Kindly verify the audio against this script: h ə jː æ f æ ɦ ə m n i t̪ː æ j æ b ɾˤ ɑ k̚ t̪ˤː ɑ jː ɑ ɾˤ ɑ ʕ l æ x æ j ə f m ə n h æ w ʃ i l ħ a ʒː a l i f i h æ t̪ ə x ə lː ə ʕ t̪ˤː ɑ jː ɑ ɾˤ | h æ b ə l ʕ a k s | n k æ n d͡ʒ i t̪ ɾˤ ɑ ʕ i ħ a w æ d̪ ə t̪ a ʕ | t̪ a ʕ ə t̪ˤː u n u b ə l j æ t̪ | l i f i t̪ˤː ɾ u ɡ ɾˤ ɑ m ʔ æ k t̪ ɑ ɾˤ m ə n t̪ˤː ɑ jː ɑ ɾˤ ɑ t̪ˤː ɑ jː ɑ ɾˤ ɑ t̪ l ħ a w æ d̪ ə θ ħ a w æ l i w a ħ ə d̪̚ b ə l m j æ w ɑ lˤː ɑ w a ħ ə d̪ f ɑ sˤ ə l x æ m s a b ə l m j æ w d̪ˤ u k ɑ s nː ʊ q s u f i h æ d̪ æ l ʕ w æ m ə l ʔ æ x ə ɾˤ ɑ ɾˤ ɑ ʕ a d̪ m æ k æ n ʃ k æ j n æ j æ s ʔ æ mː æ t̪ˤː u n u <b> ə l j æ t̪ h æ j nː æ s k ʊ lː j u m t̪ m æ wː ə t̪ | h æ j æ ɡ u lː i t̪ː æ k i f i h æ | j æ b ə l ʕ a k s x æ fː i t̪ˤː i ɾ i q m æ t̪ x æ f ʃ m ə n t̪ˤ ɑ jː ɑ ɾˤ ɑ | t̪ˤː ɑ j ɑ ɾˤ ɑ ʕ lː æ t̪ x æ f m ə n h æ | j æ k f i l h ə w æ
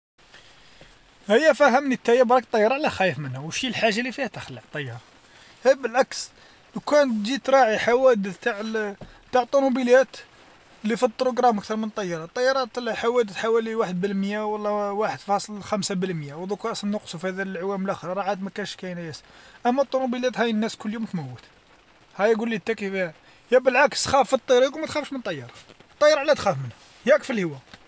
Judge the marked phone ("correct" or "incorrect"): correct